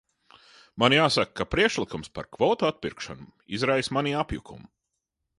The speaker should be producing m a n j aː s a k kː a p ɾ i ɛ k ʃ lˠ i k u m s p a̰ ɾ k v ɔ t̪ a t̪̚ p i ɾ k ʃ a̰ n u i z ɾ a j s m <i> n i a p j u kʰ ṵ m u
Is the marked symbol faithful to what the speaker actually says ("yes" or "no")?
no